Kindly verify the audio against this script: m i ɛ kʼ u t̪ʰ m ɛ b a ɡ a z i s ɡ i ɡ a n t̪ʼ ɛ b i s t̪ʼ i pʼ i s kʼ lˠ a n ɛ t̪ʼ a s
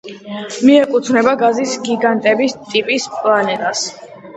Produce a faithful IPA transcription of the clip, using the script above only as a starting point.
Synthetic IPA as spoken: m i ɛ kʼ u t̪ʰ n ɛ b a ɡ a z i s ɡ i ɡ a n t̪ʼ ɛ b i s t̪ʼ i pʼ i s pʼ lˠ a n ɛ t̪ʼ a s